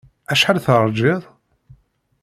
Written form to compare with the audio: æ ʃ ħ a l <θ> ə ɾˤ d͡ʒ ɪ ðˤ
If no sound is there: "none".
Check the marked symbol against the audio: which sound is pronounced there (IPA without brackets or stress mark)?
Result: θ